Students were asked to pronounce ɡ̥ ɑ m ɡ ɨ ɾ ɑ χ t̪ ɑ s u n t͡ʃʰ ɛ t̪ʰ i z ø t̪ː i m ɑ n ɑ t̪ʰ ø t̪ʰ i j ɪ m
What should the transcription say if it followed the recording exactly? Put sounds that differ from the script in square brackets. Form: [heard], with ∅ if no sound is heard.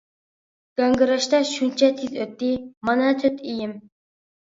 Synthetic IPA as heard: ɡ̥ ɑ [ŋ] ɡ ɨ ɾ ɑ [ʃ] t̪ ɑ [ʃ] u n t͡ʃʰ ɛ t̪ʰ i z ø t̪ː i m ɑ n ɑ t̪ʰ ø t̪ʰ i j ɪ m